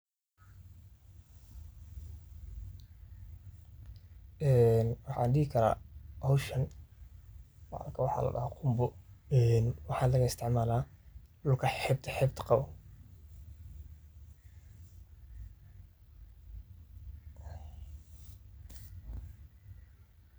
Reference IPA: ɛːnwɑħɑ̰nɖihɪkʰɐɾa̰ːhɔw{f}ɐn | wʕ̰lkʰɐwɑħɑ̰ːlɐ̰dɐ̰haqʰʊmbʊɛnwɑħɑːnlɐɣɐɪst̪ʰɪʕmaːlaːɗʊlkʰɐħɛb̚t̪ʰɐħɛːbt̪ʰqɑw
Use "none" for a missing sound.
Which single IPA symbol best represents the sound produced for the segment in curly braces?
ʃ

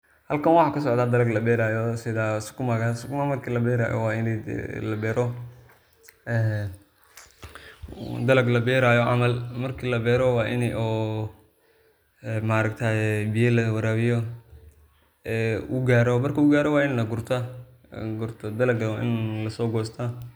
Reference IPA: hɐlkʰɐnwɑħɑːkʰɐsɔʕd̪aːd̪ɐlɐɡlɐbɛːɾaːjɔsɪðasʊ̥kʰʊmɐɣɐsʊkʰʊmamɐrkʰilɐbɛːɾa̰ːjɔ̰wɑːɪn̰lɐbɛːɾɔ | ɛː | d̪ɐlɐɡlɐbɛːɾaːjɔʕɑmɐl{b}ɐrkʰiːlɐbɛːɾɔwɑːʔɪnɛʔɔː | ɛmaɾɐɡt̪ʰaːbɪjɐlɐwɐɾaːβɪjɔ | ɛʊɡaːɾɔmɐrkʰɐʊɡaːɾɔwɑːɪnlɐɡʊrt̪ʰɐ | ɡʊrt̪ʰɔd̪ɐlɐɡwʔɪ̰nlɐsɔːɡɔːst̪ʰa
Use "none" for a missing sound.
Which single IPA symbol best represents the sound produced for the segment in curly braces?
m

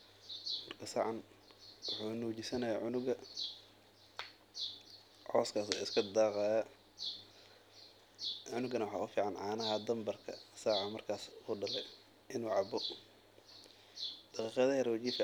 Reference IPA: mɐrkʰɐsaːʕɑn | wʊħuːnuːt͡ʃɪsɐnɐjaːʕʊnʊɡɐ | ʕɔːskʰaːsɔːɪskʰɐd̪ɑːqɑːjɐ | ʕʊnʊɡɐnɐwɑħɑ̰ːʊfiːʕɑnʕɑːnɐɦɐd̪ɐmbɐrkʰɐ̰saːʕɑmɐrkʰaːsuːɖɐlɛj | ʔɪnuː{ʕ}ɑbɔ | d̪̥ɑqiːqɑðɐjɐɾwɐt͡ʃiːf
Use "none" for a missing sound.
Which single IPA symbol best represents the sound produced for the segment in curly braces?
ʕ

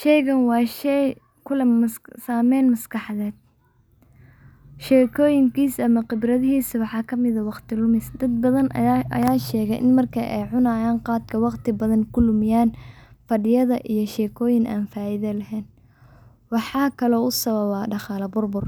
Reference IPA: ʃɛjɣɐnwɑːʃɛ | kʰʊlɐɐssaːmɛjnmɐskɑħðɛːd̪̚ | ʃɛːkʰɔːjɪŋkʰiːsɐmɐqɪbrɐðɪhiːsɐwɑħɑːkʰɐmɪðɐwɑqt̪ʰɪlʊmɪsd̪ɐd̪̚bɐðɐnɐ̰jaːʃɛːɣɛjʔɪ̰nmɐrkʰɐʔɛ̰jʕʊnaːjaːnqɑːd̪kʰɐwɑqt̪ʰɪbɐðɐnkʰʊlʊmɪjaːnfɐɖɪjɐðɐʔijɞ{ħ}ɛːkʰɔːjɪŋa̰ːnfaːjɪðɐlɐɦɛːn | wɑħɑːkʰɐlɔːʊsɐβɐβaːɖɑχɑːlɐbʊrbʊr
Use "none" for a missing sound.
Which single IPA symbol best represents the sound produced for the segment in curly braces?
ʃ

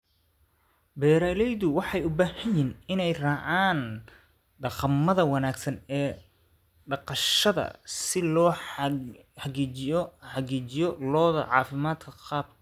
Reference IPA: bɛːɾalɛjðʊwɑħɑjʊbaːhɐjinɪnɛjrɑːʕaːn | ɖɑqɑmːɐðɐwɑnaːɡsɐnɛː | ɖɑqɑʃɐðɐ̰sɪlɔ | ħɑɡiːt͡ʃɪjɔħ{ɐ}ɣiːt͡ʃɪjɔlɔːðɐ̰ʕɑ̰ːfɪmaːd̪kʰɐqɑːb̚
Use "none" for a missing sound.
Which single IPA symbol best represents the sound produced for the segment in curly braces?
ɑ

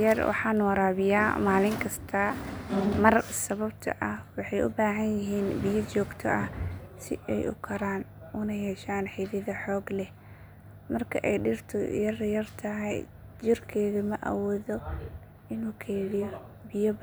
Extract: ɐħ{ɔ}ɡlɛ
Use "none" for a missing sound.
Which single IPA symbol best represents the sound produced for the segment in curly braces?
ɔː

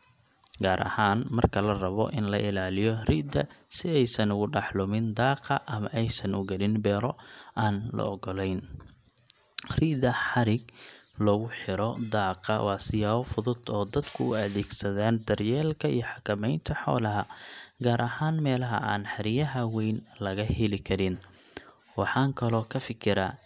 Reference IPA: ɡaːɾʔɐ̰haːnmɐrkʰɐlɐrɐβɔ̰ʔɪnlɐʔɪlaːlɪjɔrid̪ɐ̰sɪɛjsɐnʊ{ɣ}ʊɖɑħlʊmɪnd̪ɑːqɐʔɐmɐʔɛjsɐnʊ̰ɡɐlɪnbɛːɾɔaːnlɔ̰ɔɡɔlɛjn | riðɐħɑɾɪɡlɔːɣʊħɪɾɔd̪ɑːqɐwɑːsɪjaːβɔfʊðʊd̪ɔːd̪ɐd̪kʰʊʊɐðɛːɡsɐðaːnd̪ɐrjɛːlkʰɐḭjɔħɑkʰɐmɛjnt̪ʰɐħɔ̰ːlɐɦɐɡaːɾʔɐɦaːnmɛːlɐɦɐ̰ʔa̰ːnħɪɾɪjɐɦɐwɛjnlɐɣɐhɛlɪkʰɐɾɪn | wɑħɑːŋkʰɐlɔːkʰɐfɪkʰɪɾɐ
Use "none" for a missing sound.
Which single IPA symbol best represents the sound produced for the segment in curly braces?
ɣ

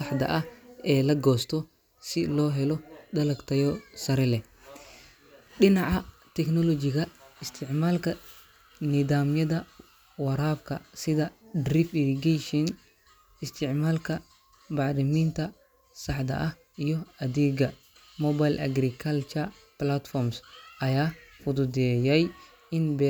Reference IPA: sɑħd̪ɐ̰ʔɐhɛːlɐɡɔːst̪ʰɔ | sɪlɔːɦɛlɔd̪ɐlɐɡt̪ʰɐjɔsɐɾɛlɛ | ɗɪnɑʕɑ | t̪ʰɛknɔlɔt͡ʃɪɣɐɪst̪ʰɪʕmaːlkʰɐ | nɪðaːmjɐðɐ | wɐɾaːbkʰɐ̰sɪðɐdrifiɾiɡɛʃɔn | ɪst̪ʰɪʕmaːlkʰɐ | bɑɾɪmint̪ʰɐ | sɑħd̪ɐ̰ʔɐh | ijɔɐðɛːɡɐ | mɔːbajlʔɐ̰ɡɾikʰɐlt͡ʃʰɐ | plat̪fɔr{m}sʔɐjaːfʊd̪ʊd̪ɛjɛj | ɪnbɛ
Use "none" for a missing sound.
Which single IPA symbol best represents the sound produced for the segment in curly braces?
m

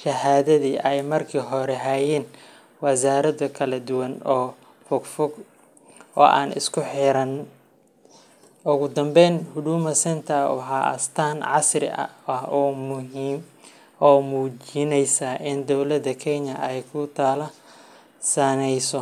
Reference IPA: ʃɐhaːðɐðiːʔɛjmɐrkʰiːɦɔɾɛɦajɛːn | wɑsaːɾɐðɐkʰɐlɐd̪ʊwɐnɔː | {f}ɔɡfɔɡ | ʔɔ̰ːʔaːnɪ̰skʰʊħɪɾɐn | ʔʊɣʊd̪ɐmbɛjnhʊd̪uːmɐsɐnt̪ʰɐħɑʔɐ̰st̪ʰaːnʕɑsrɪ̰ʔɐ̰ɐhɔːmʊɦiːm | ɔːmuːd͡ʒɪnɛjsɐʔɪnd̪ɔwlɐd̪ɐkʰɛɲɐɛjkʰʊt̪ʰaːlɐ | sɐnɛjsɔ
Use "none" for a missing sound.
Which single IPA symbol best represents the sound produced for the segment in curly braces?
f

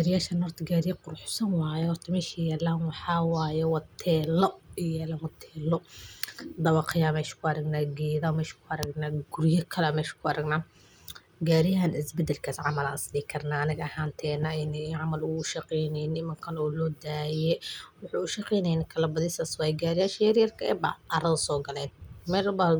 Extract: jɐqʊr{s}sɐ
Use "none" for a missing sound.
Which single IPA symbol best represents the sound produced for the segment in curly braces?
ħ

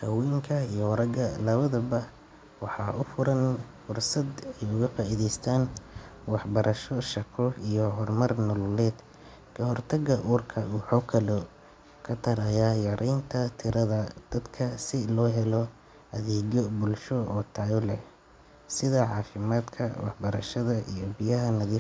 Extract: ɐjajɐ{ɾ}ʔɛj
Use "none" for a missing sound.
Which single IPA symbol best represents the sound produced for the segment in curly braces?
ɾ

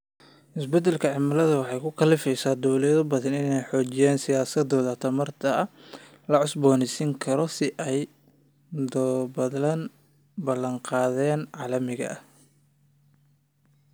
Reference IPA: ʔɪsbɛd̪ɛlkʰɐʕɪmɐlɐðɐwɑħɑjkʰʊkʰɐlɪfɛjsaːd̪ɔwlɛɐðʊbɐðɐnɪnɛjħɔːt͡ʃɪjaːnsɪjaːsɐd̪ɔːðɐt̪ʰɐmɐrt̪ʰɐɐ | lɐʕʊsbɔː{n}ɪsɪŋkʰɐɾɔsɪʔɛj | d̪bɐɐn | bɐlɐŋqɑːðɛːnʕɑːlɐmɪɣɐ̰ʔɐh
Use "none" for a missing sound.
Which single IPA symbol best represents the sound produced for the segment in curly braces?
n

